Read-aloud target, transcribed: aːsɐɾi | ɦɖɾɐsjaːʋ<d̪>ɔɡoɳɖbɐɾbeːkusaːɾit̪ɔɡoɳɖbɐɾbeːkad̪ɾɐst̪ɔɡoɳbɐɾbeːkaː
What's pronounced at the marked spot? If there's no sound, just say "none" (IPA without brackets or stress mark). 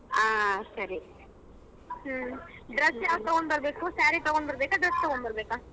t̪